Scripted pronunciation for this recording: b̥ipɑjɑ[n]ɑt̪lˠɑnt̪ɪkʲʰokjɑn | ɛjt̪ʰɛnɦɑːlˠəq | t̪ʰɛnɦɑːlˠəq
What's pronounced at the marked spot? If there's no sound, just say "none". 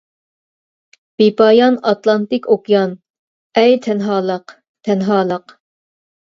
n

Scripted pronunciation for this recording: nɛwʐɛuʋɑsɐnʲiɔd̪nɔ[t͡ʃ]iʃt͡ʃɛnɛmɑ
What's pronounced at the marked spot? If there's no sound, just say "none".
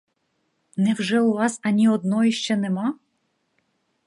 none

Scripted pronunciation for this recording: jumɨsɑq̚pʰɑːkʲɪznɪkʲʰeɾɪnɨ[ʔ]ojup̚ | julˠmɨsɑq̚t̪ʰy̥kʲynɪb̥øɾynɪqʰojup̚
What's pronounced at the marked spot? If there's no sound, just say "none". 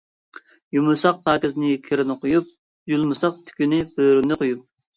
q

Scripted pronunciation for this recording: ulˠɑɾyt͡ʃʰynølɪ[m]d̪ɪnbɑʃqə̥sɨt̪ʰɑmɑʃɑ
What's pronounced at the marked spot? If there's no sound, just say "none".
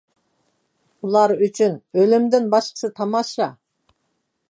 m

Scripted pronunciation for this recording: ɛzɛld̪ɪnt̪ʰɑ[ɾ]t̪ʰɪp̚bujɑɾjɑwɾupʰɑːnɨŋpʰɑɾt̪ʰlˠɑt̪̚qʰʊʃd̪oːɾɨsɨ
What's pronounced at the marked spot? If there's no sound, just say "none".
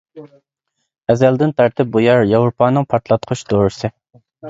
ɾ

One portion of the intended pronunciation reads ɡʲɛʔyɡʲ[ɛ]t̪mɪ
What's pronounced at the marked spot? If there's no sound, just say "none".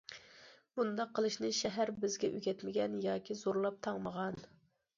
ɛ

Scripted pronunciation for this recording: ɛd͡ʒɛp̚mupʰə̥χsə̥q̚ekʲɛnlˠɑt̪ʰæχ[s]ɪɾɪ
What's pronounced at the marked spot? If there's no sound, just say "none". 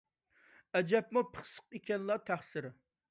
s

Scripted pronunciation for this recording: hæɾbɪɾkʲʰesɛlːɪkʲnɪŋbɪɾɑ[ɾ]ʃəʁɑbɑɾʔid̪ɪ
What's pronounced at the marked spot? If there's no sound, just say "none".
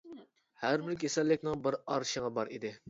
ɾ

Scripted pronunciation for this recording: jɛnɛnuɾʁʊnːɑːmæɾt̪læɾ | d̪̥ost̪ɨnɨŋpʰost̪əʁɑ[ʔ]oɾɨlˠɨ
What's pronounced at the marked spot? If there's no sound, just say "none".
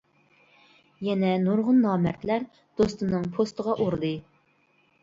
ʔ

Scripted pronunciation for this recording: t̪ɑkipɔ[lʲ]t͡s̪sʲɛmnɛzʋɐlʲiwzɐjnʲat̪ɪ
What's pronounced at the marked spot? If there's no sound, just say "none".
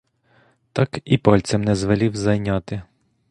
lʲ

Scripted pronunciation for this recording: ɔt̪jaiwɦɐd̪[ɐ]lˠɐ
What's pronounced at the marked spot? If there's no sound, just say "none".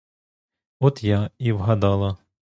ɑ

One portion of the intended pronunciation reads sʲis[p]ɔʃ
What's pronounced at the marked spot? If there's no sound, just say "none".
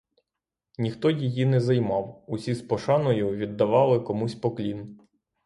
p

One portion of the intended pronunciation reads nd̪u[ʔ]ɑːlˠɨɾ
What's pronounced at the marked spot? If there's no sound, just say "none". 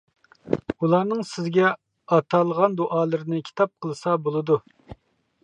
ʔ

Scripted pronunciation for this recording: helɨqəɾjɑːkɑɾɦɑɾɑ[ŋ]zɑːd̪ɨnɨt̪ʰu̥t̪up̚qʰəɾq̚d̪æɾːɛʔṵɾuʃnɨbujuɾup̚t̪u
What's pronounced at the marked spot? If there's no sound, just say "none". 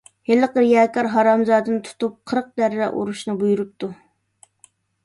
m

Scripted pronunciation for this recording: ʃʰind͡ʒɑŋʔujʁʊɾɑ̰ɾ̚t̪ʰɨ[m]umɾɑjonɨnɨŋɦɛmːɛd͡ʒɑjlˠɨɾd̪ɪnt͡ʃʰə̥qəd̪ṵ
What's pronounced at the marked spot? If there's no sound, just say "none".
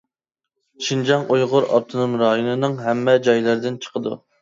n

